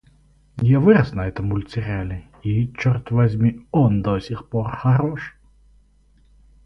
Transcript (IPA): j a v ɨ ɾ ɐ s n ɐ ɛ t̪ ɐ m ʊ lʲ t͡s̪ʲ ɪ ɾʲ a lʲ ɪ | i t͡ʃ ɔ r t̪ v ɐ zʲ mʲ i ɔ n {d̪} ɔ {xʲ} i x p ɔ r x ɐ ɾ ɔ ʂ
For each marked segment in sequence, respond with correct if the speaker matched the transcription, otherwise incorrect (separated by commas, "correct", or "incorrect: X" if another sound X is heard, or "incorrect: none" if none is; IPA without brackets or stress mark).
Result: correct, incorrect: sʲ